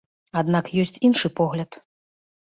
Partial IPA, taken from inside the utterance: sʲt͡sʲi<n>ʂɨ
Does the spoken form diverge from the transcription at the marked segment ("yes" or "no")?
no